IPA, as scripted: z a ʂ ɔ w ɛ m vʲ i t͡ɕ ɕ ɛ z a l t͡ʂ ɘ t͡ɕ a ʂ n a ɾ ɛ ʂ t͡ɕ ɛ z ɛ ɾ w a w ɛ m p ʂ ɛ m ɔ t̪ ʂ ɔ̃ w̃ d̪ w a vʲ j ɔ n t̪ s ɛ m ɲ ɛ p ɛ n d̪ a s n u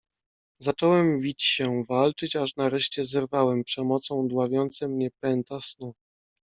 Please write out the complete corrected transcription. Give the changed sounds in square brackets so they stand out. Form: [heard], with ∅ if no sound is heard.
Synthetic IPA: z a [t͡ʂ] ɔ w ɛ m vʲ i t͡ɕ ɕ ɛ [v] a l t͡ʂ ɘ t͡ɕ a ʂ n a ɾ ɛ ʂ t͡ɕ ɛ z ɛ ɾ [v] a w ɛ m p ʂ ɛ m ɔ t̪ [s] ɔ̃ w̃ d̪ w a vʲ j ɔ n t̪ s ɛ m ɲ ɛ p ɛ n [t̪] a s n u